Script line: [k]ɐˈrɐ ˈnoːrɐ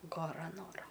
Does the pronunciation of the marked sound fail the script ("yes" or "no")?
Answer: yes